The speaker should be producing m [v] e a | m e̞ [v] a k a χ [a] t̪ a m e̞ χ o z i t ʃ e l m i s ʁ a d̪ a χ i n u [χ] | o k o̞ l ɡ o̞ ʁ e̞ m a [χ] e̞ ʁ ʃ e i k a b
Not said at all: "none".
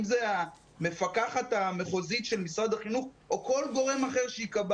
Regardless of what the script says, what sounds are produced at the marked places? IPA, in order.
z, f, a, χ, χ

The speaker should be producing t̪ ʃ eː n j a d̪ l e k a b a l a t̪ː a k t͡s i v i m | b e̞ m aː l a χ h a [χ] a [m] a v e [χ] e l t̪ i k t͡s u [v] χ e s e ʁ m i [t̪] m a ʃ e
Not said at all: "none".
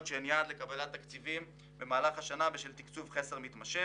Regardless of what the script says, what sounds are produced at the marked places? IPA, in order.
ʃ, n, ʃ, v, t̪

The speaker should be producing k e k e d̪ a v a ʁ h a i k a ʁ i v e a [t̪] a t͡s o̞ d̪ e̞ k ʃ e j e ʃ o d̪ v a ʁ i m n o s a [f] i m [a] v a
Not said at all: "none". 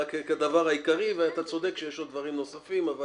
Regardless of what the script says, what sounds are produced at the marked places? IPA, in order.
t̪, f, a

